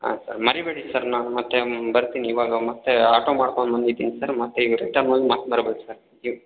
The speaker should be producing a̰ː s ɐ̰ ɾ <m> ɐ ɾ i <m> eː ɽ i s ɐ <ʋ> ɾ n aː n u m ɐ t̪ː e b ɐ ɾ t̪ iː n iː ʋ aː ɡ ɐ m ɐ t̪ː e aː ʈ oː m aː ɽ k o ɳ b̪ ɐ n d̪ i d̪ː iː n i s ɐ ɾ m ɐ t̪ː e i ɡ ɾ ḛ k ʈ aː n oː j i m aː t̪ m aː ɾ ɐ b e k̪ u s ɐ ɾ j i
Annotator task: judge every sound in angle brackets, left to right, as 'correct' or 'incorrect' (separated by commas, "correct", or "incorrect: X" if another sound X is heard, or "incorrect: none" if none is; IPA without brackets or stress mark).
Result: correct, incorrect: b, incorrect: none